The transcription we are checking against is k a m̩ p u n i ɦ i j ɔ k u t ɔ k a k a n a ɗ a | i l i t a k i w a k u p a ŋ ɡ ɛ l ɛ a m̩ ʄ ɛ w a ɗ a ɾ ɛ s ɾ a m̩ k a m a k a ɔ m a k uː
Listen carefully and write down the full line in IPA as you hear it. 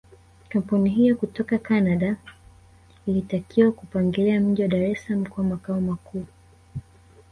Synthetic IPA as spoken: k a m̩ p u n i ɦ i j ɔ k u t ɔ k a k a n a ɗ a | i l i t a k i w a k u p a ŋ ɡ ɛ l ɛ a m̩ ʄ i w a ɗ a ɾ ɛ s l a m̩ k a m a k a ɔ m a k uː